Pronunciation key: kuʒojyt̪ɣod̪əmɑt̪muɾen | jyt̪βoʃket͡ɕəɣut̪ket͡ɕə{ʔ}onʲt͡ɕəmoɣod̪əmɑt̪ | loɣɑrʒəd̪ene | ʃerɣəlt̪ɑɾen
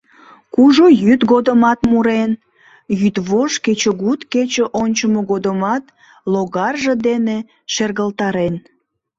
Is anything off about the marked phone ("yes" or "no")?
no